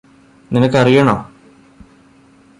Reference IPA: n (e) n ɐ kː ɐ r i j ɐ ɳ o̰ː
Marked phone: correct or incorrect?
incorrect